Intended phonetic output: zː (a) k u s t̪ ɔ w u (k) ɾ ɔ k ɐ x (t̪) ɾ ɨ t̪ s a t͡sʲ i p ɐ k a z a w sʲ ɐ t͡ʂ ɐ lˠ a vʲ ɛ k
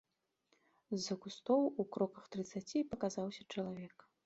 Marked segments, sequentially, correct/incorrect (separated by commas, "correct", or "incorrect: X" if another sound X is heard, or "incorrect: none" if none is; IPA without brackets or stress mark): incorrect: ɐ, correct, correct